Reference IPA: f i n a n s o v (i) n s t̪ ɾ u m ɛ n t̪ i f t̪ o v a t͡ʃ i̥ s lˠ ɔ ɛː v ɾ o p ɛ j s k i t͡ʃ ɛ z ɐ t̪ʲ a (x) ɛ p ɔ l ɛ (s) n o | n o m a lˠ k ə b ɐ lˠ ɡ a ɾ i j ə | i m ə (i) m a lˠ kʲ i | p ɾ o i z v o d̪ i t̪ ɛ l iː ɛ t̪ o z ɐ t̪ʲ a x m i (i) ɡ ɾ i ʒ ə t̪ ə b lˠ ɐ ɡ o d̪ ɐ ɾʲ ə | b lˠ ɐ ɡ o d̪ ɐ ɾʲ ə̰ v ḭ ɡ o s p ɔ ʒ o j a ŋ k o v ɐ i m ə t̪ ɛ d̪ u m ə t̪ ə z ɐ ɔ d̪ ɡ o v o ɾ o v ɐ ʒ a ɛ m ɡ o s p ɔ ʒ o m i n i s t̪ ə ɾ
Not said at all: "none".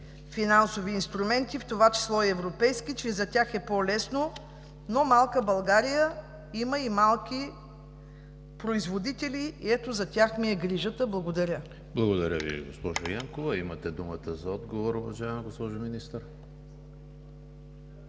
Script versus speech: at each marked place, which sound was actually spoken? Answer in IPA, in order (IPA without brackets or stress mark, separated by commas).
iː, x, s, i, ɛ